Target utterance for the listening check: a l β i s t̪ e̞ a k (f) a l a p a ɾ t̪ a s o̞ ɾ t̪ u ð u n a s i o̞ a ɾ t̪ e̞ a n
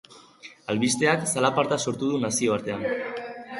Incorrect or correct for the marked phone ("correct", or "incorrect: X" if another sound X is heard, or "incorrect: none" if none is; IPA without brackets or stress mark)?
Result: incorrect: s